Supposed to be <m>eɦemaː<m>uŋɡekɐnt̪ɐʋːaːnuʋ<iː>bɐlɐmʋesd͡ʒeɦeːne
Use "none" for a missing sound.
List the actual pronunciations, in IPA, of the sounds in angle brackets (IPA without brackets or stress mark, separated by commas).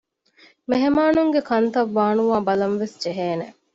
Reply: m, n, aː